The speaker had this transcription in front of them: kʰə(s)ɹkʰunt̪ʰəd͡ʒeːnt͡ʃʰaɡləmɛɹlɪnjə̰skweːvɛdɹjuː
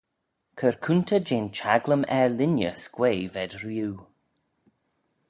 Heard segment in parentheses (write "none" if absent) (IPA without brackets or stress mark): none